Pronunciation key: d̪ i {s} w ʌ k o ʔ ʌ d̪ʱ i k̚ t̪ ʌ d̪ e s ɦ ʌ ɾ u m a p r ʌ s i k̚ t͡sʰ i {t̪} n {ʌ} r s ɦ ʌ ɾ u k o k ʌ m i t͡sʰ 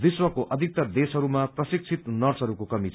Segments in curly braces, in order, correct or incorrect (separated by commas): correct, correct, correct